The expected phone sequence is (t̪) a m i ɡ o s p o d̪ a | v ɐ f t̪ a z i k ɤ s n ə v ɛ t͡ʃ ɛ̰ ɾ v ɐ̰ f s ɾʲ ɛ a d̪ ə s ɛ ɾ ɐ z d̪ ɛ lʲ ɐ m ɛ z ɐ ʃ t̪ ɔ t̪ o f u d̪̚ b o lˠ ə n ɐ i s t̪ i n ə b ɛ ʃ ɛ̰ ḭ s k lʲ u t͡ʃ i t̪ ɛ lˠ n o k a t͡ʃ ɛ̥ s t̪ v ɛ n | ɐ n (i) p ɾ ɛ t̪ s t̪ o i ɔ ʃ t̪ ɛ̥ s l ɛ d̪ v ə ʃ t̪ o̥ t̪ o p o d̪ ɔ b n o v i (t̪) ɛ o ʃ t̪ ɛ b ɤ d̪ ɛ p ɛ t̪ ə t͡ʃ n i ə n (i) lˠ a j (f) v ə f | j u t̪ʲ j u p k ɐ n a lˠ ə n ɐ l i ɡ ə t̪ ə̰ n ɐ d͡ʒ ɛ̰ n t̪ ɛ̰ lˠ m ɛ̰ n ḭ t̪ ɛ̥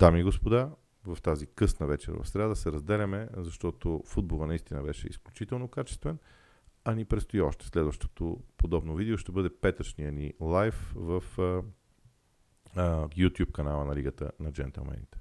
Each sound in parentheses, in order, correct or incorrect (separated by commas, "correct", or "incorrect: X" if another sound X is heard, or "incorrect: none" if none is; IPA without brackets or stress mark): incorrect: d̪, correct, incorrect: d̪, correct, correct